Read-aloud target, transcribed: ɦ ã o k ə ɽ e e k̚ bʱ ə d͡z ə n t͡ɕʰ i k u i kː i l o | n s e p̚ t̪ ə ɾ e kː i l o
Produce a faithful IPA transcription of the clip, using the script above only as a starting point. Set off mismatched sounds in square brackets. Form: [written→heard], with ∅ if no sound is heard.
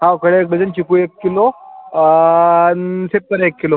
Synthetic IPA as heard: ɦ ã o k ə ɽ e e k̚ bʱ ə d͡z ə n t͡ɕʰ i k u [i→e] kː i l o | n s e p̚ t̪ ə ɾ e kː i l o